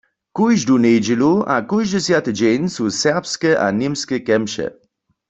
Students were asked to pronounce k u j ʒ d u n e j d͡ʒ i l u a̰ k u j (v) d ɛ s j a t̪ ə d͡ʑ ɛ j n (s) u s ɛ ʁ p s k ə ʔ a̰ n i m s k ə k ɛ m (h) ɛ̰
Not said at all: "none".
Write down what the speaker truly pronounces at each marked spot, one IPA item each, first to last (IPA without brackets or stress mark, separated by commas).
ʒ, s, ʃ